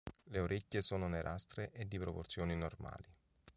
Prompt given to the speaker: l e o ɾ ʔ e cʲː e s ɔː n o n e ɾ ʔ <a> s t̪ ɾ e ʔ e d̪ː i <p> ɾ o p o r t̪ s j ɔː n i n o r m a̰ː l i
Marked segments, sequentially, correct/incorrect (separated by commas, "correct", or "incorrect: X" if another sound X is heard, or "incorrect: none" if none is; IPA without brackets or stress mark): correct, correct